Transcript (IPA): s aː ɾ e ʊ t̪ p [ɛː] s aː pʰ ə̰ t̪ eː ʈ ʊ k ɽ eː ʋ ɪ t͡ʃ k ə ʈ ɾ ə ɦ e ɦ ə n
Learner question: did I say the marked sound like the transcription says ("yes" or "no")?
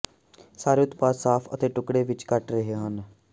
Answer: no